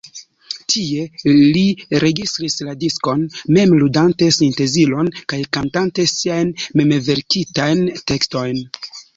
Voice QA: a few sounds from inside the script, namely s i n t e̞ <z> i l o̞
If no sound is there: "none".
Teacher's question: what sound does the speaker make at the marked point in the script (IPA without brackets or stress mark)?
z